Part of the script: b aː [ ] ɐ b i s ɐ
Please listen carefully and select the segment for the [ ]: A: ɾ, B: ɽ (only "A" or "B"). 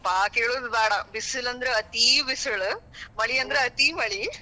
B